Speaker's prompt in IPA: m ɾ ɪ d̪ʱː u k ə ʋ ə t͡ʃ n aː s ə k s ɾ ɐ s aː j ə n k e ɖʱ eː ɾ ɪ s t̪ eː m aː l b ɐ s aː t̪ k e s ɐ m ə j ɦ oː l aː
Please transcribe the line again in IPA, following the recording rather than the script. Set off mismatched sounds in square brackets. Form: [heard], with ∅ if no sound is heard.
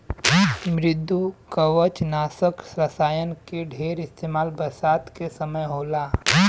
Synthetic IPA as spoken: m ɾ ɪ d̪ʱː u k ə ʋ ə t͡ʃ n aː s ə k s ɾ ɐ s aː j ə n k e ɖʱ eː ɾ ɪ s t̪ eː m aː l b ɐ s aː t̪ k e s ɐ m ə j ɦ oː l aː